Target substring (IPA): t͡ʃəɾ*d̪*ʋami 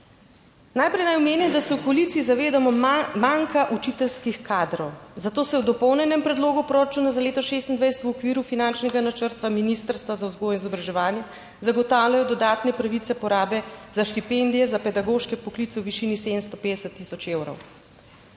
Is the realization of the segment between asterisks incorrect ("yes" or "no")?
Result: yes